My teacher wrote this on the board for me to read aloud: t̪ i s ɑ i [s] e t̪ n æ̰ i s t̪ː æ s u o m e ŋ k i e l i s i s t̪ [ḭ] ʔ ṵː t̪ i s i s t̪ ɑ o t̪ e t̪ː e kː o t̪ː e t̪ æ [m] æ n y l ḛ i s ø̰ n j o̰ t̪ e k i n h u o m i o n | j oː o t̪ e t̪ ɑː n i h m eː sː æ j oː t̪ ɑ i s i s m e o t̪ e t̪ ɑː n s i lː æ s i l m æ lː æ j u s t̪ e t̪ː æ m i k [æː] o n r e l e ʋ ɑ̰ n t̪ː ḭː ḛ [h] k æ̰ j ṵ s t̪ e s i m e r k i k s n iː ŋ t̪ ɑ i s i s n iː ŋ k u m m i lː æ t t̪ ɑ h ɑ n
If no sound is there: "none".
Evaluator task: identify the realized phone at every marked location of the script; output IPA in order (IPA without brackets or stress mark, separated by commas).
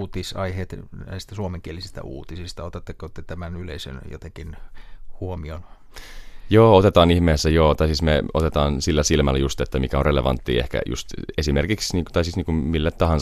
h, æ̰, m, æ, h